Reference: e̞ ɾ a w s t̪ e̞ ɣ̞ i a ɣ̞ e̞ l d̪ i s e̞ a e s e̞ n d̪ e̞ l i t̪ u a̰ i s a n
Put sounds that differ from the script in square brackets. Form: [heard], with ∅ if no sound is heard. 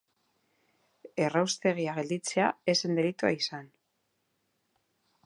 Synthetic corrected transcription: e̞ [r] a w s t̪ e̞ ɣ̞ i a ɣ̞ e̞ l d̪ i [t͡s] e̞ a e s e̞ n d̪ e̞ l i t̪ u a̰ i s a n